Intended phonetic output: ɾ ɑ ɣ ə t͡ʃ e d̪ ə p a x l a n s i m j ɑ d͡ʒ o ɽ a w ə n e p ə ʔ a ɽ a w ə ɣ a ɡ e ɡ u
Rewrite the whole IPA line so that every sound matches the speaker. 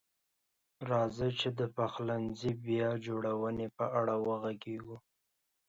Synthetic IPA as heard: ɾ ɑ z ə t͡ʃ e d̪ ə p a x l a n z i b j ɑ d͡ʒ o ɽ a w ə n e p ə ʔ a ɽ a w ə ɣ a ɡ e ɡ u